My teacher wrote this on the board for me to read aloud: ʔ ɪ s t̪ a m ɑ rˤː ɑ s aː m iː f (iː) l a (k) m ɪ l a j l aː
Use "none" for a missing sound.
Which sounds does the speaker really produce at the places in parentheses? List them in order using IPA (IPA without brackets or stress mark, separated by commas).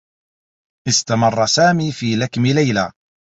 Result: iː, k